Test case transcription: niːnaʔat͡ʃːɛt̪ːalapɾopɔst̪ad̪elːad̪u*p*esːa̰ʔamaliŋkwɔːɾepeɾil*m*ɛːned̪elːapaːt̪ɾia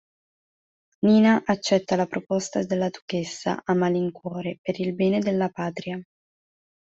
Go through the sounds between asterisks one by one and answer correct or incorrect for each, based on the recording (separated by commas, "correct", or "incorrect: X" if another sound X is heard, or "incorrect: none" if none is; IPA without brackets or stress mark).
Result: incorrect: k, incorrect: b